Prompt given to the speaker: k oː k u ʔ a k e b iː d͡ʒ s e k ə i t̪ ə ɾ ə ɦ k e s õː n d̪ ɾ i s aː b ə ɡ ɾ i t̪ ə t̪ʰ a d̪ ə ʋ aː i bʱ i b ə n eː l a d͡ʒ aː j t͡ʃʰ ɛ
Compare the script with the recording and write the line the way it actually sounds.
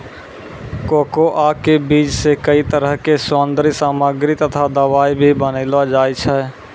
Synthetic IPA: k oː k o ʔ a k e b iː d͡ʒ s e k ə i t̪ ə ɾ ə ɦ k e s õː n d̪ ɾ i s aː m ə ɡ ɾ i t̪ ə t̪ʰ a d̪ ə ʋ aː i bʱ i b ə n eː l a d͡ʒ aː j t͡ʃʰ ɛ